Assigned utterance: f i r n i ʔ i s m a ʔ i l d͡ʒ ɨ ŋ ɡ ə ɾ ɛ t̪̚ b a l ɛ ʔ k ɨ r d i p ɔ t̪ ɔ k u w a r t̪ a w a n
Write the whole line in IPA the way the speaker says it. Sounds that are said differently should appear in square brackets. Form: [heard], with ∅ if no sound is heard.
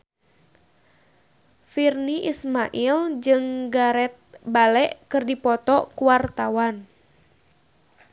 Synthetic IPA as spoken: f i r n i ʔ i s m a ʔ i l d͡ʒ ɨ ŋ ɡ [a] ɾ ɛ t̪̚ b a l ɛ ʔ k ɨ r d i p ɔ t̪ ɔ k u w a r t̪ a w a n